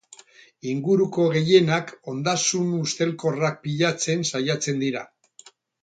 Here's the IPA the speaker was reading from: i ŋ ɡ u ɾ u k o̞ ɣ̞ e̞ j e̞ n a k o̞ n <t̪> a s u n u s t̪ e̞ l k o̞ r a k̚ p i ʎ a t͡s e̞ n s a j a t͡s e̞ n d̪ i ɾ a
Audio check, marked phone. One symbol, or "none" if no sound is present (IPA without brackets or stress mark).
d̪